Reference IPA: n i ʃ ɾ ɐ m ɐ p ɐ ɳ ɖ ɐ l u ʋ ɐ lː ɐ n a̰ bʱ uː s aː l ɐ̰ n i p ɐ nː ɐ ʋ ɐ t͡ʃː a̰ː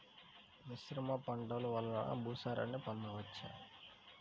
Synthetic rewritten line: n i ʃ ɾ ɐ m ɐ p ɐ ɳ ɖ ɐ l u ʋ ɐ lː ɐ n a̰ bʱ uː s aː ɾ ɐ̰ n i p ɐ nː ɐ ʋ ɐ t͡ʃː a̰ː